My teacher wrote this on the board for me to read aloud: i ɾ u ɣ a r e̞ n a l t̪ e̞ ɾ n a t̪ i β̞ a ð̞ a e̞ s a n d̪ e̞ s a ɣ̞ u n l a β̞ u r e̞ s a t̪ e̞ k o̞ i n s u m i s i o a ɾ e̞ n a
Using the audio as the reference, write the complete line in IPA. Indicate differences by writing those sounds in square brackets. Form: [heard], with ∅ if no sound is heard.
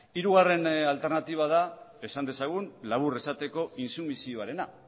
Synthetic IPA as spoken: i ɾ u ɣ a r e̞ n a l t̪ e̞ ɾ n a t̪ i β̞ a ð̞ a e̞ s a n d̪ e̞ s a ɣ̞ u n l a β̞ u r e̞ s a t̪ e̞ k o̞ i n s u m i s i o a ɾ e̞ n a